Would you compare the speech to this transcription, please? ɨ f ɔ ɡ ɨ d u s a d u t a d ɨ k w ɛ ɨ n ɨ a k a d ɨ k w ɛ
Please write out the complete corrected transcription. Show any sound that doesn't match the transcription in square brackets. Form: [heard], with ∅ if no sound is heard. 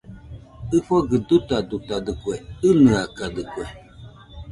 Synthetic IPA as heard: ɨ f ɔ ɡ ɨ d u [t] a d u t a d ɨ k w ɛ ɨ n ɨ a k a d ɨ k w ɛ